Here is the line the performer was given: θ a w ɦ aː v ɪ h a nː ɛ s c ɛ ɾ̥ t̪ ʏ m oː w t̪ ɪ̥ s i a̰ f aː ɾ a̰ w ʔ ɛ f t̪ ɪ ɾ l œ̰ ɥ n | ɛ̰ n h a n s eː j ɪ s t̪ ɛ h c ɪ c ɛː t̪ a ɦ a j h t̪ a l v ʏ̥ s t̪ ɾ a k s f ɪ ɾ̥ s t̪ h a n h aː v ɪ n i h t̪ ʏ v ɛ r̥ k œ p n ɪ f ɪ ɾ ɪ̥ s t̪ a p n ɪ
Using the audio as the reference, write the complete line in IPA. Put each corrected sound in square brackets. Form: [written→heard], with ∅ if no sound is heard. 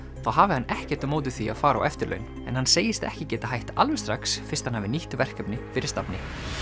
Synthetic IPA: θ a w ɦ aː v ɪ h a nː ɛ [s→h] c ɛ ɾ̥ t̪ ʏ m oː w t̪ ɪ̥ [s→θ] i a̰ f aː ɾ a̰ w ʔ ɛ f t̪ ɪ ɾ l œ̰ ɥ n | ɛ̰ n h a n s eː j ɪ s t̪ ɛ h c ɪ c ɛː t̪ a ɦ a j h t̪ a l v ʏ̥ s t̪ ɾ a k s f ɪ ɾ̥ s t̪ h a n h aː v ɪ n i h t̪ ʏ v ɛ r̥ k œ p n ɪ f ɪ ɾ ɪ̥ s t̪ a p n ɪ